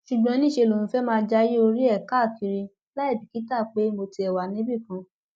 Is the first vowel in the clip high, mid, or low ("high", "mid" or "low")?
high